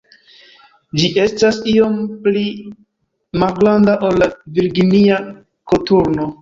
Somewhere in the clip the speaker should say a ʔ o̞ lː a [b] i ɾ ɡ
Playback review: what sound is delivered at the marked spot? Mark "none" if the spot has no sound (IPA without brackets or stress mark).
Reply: v